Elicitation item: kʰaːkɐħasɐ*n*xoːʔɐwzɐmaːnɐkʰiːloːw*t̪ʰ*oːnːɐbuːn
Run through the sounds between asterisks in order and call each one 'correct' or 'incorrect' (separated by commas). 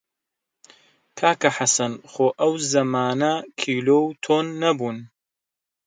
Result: correct, correct